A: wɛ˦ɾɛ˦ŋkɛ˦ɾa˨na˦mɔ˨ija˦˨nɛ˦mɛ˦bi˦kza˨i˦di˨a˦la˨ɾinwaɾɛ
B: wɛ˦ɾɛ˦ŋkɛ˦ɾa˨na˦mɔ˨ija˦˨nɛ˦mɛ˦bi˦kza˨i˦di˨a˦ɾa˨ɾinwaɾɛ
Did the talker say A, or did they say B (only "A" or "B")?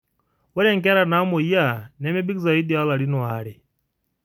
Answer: A